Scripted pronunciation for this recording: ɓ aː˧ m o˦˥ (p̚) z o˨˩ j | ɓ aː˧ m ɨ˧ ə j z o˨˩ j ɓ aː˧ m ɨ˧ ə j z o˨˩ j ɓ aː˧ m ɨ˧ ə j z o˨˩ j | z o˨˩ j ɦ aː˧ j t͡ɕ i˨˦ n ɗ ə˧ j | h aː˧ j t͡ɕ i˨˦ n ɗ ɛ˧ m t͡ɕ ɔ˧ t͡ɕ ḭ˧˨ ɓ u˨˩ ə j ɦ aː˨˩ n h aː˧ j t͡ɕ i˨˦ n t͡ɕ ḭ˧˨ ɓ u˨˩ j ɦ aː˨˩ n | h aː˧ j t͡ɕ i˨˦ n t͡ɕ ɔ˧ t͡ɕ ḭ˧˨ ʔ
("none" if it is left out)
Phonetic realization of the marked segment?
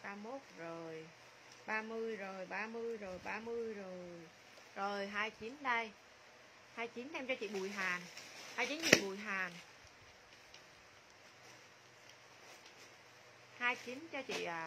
t̚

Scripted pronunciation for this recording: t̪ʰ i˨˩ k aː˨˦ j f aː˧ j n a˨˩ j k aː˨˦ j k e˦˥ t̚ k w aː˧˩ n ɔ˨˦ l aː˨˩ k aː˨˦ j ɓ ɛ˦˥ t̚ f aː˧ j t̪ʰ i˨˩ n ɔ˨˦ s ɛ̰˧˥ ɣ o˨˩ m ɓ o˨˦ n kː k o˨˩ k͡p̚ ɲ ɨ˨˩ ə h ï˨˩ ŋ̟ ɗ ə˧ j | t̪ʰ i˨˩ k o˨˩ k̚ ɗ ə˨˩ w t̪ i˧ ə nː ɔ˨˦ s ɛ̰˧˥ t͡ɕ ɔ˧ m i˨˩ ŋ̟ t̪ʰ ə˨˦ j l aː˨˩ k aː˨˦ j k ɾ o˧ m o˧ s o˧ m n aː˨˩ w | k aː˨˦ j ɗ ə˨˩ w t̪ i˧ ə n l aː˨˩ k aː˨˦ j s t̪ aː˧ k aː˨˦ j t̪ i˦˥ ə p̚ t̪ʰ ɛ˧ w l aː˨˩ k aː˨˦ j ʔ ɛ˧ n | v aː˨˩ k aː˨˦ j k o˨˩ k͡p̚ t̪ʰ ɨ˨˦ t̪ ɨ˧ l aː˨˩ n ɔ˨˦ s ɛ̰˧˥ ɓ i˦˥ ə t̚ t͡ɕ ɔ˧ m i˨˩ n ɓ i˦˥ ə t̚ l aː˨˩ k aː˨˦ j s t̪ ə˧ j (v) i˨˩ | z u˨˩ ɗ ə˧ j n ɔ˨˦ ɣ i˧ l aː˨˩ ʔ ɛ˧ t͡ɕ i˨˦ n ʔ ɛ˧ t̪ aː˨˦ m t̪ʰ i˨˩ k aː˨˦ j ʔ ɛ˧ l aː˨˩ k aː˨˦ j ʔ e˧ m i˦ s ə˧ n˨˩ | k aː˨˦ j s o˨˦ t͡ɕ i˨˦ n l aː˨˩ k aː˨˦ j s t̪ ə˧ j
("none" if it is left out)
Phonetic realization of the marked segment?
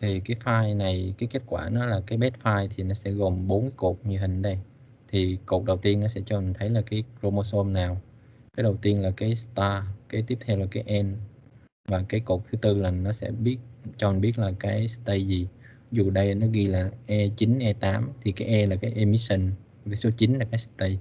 z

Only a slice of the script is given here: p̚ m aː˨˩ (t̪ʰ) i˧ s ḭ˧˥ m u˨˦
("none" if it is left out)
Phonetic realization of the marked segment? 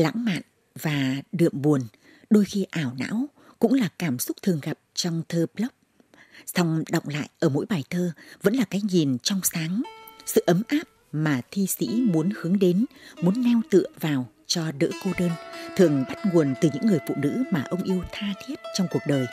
t̪ʰ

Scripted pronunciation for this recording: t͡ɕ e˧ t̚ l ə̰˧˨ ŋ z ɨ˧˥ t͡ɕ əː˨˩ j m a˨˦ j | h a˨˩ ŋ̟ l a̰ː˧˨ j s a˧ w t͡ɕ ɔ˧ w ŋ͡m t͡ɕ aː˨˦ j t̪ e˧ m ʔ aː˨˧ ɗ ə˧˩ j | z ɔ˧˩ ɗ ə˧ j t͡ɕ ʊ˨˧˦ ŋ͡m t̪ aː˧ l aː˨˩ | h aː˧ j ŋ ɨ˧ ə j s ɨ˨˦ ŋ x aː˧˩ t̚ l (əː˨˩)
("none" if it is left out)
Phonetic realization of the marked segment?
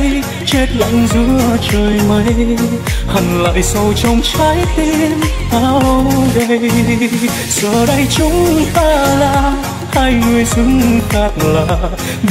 aː˨˩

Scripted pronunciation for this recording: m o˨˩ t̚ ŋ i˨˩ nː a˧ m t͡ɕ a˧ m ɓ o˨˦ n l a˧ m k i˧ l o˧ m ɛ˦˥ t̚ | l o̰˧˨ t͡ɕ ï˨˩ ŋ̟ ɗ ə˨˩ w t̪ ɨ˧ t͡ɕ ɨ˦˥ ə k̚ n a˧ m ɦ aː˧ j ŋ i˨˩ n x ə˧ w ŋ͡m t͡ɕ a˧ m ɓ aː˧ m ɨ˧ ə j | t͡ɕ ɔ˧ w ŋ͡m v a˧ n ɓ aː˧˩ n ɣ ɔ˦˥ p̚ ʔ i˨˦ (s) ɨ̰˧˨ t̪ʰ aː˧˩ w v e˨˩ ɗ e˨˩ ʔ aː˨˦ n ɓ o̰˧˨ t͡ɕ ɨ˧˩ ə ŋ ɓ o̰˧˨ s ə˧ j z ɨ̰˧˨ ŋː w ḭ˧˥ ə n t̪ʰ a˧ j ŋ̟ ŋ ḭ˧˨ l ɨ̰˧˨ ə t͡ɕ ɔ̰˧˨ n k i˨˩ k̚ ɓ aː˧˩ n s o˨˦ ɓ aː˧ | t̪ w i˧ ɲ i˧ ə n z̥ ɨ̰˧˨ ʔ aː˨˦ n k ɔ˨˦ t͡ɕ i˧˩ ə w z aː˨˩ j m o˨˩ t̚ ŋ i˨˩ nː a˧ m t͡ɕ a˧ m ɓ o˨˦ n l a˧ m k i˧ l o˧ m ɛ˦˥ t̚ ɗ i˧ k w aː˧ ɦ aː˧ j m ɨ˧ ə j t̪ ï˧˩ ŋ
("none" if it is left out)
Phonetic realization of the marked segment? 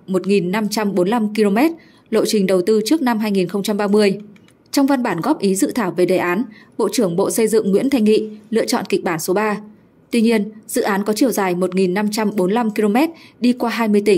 z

